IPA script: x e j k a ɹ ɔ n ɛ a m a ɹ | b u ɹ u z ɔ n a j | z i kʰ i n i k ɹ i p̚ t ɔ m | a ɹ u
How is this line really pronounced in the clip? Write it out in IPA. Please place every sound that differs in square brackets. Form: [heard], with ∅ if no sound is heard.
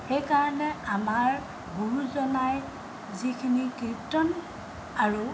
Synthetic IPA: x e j k a ɹ ɔ n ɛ a m a ɹ | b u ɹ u z ɔ n a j | z i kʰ i n i k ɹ i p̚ t ɔ [n] | a ɹ u